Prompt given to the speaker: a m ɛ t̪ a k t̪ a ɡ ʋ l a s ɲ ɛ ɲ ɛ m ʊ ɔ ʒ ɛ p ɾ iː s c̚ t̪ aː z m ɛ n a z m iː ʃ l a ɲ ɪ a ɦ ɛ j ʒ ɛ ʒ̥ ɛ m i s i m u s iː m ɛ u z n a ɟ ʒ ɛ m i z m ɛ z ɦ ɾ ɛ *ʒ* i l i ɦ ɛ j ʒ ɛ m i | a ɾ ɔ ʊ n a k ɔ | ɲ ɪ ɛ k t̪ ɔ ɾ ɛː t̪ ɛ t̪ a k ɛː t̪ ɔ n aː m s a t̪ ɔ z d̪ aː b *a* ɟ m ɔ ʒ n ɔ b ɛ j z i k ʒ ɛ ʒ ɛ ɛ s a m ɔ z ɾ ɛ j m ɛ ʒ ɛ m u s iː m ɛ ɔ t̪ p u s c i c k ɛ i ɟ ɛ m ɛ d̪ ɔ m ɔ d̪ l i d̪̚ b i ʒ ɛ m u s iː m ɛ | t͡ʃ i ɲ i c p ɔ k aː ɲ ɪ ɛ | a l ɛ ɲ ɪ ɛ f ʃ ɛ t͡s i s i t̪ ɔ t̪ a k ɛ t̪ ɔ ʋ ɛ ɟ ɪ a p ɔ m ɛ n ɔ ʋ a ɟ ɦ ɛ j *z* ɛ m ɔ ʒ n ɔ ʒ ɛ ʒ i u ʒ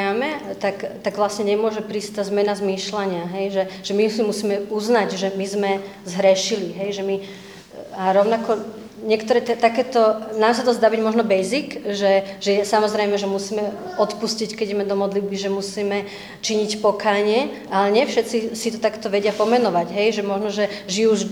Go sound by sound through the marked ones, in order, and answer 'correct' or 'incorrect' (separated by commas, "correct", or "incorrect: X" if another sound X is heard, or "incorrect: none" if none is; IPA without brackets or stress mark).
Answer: incorrect: ʃ, incorrect: i, incorrect: ʒ